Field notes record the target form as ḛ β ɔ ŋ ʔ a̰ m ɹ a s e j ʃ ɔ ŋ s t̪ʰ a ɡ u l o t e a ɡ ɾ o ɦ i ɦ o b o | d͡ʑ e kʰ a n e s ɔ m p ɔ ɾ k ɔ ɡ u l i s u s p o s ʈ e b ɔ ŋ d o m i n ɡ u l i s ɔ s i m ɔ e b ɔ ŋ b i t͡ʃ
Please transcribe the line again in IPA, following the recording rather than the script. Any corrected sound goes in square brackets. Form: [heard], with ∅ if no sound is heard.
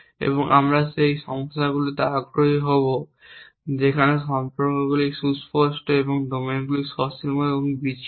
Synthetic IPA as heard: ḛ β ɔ ŋ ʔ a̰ m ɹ a s e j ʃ ɔ ŋ s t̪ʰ a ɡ u l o t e a ɡ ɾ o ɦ i ɦ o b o | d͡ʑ e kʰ a n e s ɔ m p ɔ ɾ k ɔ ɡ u l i s u s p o s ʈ e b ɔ ŋ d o m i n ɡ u l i s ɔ s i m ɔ e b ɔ ŋ b i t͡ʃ